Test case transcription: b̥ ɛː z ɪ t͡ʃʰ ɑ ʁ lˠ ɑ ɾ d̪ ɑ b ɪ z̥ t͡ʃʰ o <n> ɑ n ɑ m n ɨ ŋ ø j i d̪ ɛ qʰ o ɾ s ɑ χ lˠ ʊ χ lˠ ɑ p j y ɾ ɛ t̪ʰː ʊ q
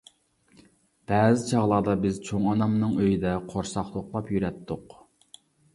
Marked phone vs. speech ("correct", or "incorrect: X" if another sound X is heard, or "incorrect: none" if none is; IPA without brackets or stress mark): incorrect: ŋ